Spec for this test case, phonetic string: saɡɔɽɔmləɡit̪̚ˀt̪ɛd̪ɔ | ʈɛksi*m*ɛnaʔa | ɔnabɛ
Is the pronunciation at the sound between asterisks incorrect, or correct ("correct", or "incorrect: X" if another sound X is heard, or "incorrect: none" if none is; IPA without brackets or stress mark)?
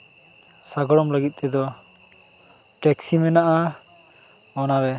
correct